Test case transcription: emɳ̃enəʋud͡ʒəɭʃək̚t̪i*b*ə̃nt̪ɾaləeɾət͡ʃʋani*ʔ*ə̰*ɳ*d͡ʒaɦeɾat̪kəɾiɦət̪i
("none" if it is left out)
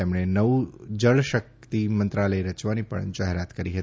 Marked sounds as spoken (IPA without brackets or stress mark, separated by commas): m, p, ɳ